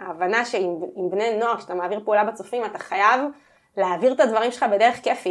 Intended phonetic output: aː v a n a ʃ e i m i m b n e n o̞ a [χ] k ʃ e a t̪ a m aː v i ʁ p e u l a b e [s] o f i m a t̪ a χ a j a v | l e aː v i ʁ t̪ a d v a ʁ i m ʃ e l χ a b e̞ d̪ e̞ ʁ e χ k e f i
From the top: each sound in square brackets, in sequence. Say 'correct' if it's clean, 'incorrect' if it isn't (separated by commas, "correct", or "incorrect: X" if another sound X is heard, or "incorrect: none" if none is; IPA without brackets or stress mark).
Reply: incorrect: ʁ, incorrect: t͡s